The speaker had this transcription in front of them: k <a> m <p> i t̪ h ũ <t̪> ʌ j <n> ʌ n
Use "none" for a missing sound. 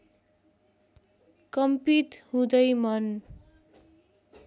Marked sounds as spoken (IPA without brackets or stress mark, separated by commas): ʌ, p, d̪, m